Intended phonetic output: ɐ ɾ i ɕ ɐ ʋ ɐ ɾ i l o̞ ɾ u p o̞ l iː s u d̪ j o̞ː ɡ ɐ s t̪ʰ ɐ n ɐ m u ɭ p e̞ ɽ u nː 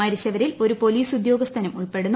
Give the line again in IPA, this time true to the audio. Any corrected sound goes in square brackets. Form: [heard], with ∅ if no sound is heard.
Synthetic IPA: ɐ ɾ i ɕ ɐ ʋ ɐ ɾ i l o̞ ɾ u p o̞ l iː s u d̪ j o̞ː ɡ ɐ s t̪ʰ ɐ n ɐ m u ɭ p e̞ ɽ u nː